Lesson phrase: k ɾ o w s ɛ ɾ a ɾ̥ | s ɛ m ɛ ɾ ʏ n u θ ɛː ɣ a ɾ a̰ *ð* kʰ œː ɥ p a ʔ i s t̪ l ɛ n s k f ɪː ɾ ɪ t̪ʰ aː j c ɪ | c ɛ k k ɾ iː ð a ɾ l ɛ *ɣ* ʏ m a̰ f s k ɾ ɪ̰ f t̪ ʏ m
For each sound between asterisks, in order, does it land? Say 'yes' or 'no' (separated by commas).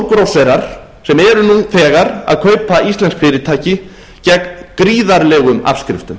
yes, yes